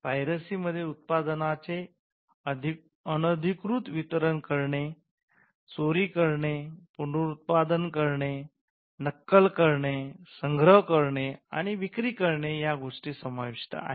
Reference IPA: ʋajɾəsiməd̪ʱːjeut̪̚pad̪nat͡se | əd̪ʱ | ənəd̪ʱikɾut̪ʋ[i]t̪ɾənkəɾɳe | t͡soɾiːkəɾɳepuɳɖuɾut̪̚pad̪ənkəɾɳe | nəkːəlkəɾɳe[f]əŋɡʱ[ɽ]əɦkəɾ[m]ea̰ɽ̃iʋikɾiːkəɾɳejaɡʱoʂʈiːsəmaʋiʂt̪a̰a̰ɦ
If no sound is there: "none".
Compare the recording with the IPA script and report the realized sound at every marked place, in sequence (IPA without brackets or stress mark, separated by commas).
i, s, ɾ, ɳ